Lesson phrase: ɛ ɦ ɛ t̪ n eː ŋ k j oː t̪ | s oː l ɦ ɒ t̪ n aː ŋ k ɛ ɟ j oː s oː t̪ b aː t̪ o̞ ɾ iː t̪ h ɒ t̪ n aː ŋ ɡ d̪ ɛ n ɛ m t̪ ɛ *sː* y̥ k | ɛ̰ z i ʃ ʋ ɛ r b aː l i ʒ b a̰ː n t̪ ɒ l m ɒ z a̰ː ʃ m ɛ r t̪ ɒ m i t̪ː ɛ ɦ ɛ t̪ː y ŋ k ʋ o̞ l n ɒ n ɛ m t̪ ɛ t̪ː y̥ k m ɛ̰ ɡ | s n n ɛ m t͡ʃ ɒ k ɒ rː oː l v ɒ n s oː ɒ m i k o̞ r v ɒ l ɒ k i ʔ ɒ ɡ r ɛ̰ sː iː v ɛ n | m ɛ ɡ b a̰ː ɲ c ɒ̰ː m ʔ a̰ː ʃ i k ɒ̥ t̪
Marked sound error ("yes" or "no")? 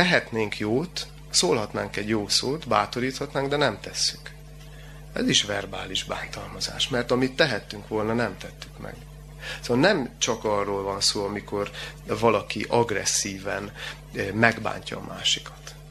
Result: no